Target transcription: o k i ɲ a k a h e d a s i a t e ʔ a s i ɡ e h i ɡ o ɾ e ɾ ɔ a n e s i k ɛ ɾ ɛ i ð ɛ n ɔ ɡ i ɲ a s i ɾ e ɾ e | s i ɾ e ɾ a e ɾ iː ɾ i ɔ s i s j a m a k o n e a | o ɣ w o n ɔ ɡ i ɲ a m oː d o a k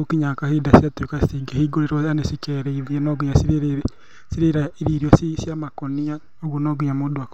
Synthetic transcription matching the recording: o k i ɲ a k a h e d a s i a t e k a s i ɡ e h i ɡ o ɾ e ɾ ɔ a n e s i k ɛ ɾ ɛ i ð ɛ n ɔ ɡ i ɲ a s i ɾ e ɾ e | s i ɾ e ɾ a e ɾ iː ɾ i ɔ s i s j a m a k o n i a | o ɣ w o n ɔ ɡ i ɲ a m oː d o a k